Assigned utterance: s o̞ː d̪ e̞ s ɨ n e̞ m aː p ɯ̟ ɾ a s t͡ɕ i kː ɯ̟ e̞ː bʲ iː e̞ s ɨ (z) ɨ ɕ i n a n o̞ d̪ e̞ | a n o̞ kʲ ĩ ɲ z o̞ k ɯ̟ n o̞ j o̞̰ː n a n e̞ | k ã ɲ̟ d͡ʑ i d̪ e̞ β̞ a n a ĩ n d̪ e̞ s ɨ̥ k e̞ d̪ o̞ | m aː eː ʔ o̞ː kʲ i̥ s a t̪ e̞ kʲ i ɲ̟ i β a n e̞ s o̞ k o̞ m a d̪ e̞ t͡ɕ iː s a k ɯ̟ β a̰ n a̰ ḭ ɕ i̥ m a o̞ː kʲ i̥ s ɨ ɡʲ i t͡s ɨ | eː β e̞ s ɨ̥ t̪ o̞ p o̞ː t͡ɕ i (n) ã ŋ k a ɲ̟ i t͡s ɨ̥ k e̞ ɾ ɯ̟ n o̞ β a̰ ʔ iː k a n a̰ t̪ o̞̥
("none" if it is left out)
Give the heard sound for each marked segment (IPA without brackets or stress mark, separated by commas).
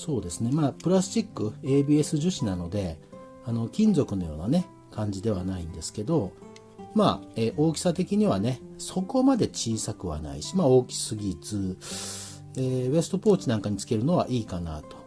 ʑ, n